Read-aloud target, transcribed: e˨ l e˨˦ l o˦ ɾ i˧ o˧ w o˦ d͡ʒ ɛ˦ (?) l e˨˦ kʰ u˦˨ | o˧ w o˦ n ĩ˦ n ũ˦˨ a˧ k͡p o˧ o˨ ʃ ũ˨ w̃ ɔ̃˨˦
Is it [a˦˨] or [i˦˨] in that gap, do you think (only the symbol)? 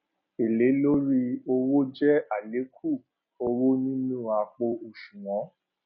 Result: a˦˨